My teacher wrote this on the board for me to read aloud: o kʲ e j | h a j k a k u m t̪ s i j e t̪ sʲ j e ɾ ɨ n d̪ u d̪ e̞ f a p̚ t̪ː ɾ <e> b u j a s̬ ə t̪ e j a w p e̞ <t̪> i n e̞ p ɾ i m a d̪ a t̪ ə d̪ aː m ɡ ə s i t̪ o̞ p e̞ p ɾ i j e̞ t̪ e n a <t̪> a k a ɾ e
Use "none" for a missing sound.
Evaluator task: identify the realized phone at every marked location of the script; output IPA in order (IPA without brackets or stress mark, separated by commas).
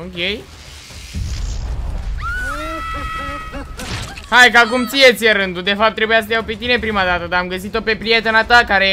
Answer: e, t̪, t̪